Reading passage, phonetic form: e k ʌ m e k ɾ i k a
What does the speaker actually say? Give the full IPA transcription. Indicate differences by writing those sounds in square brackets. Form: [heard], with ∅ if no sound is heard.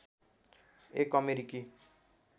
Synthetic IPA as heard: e k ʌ m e [∅] ɾ i k [i]